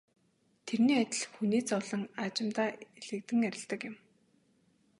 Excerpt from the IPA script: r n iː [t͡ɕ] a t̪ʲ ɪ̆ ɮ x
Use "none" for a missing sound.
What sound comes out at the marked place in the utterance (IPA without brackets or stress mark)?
none